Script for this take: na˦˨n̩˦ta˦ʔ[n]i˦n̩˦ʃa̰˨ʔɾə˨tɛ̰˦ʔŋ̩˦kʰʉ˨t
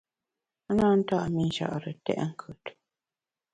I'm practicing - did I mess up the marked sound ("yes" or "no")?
yes